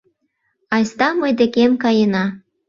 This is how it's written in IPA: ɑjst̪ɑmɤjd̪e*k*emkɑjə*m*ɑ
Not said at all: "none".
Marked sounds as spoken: k, n

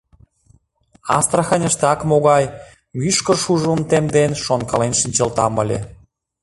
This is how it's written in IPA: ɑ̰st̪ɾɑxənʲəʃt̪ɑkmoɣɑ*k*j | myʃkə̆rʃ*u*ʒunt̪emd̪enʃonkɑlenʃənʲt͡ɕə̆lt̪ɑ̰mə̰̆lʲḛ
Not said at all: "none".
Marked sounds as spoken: none, u

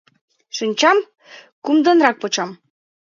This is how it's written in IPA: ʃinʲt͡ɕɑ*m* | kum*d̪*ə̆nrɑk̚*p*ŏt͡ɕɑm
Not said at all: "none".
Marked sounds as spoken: m, d̪, p

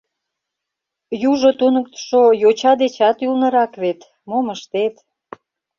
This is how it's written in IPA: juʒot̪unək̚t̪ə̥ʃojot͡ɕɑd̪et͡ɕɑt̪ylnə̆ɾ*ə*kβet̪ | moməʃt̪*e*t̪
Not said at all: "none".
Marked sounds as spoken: ɑ, e

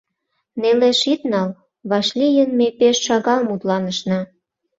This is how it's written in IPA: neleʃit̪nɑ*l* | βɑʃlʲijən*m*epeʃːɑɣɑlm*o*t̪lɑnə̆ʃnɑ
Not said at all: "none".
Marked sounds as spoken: l, m, u

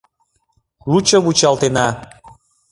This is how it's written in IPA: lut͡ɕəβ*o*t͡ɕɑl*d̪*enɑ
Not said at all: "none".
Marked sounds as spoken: u, t̪

